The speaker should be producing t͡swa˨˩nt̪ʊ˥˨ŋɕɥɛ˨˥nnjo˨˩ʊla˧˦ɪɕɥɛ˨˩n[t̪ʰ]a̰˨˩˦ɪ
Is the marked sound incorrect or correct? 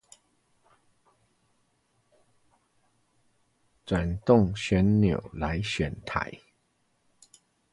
correct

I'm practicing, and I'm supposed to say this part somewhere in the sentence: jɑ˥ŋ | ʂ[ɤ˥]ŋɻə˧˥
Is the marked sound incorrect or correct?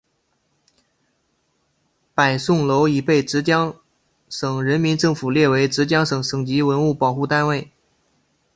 incorrect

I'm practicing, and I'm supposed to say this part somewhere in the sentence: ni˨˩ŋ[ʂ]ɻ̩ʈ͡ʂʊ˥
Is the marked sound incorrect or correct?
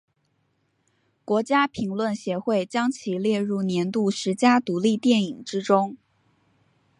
incorrect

